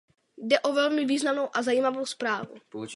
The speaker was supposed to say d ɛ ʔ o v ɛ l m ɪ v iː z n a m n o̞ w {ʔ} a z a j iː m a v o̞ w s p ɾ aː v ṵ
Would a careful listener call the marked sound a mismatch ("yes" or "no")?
no